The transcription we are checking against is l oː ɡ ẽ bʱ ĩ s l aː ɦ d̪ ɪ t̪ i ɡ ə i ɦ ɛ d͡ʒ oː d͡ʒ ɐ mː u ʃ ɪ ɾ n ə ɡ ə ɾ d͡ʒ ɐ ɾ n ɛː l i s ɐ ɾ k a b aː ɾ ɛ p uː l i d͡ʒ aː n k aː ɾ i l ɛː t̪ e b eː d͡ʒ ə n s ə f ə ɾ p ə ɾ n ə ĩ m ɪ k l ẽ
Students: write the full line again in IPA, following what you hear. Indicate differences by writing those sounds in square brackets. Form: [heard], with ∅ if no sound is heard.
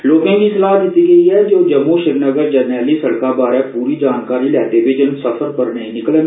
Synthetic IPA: l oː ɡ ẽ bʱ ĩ s l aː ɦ d̪ ɪ t̪ i ɡ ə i ɦ ɛ d͡ʒ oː d͡ʒ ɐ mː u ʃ ɪ ɾ n ə ɡ ə ɾ d͡ʒ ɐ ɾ n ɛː l i s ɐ [ɽ] k a b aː ɾ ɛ p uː [ɾ] i d͡ʒ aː n k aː ɾ i l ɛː t̪ e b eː d͡ʒ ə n s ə f ə ɾ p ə ɾ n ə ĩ [n] ɪ k l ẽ